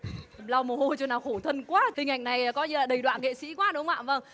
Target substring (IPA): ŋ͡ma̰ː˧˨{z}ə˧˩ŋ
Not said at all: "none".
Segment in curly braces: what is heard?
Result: v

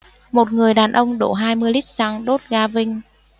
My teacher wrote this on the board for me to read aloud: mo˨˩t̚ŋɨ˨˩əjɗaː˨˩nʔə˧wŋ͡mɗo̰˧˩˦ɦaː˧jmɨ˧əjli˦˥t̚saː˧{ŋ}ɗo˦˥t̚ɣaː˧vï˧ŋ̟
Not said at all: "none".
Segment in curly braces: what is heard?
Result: ŋ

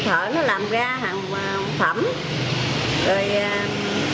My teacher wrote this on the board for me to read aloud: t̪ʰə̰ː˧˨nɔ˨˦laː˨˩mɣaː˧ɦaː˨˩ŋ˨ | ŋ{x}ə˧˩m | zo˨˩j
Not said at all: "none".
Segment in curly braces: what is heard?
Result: f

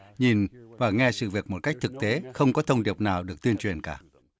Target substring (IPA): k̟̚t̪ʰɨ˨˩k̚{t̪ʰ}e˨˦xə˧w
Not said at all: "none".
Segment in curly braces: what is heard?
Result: t̪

